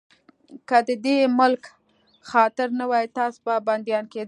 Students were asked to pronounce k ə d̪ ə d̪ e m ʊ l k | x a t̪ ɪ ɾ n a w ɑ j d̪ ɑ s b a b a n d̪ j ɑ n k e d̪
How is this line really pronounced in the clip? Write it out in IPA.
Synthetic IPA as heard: k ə d̪ ə d̪ e m ʊ l k | x ɑ t̪ ɪ ɾ n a w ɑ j t̪ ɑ s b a b a n d̪ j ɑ n k e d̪